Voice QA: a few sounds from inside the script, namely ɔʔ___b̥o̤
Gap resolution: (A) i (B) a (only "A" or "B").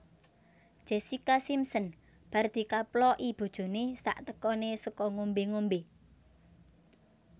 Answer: A